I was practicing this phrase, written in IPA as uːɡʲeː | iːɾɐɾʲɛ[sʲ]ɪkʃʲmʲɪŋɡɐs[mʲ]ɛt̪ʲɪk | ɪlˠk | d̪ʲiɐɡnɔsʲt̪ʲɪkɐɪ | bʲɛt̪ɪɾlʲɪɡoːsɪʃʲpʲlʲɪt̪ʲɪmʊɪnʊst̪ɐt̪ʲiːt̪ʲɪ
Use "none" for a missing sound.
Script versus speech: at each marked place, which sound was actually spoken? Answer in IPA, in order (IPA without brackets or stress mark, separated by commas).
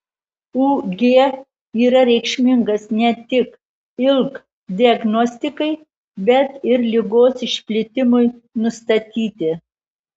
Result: none, nʲ